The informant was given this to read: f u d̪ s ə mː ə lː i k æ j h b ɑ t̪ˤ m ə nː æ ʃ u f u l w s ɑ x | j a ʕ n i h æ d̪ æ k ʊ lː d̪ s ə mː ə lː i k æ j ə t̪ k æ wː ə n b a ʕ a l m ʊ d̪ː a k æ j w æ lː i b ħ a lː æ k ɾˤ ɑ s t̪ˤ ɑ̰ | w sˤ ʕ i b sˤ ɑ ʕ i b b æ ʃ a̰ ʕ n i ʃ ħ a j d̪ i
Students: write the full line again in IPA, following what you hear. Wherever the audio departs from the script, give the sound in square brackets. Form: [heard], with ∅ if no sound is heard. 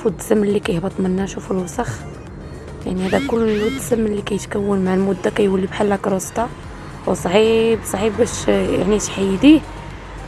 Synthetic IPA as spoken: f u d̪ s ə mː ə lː i k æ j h b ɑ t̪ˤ m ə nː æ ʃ u f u l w s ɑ x | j a ʕ n i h æ d̪ æ k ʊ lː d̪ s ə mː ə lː i k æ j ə t̪ k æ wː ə n [m] a ʕ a l m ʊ d̪ː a k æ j w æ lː i b ħ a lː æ k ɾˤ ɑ s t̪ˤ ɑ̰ | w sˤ ʕ i b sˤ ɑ ʕ i b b æ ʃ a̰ ʕ n i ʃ ħ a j d̪ i